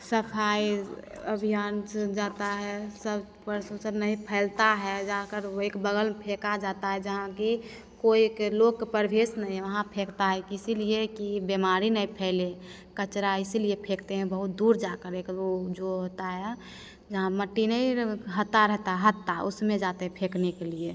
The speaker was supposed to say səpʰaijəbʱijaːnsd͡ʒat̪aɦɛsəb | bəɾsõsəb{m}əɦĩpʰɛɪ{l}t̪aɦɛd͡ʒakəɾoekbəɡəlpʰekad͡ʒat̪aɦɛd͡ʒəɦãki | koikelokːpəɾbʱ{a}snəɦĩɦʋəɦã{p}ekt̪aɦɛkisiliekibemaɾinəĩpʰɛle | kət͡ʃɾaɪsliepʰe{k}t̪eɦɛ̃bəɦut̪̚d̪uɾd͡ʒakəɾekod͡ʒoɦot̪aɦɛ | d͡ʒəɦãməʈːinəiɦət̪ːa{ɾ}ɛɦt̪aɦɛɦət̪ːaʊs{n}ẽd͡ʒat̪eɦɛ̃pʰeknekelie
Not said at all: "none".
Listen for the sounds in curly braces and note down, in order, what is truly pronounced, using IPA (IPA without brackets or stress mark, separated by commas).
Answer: n, l, e, pʰ, k, ɾ, m